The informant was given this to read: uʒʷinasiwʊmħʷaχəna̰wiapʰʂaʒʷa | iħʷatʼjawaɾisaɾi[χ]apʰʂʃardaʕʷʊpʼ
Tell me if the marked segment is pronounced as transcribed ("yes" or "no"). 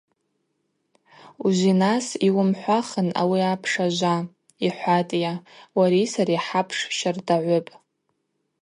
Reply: no